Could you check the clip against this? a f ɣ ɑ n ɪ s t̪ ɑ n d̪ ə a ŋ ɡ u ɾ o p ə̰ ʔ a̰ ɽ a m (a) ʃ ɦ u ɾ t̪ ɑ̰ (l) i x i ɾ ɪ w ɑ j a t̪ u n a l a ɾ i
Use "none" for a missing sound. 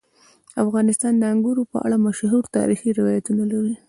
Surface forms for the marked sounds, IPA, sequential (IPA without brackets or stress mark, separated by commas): a, ɾ